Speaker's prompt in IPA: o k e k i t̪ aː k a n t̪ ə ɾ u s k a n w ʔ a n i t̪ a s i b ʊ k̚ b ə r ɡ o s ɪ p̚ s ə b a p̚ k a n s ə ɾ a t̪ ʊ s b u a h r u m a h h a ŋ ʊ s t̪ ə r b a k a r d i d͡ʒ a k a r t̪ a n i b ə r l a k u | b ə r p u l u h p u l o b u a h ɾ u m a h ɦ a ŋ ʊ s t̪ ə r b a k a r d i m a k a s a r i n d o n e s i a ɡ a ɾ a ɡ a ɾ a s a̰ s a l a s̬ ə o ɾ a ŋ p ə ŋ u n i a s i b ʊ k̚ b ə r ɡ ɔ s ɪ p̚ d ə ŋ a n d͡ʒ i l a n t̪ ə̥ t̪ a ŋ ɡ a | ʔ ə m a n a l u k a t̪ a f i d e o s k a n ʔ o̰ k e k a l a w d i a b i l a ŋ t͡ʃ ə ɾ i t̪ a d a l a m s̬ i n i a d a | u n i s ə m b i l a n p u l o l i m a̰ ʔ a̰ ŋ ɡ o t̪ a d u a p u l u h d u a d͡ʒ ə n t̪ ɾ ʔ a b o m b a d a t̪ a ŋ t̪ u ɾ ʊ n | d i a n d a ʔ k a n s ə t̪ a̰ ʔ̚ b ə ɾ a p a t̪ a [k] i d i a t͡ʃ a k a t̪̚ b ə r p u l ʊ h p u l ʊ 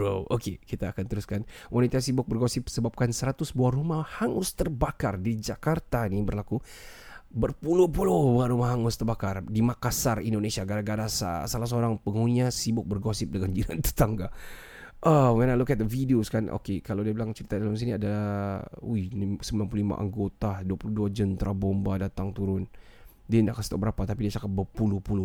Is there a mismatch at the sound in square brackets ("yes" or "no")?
yes